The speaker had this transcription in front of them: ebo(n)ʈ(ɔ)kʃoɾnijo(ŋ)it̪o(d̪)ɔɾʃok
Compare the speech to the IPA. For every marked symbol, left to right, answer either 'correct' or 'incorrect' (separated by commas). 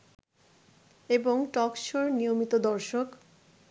incorrect, correct, incorrect, correct